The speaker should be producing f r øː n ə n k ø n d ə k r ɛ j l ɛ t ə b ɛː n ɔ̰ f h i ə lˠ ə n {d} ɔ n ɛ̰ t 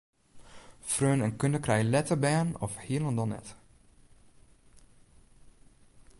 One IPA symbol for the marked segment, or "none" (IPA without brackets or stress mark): d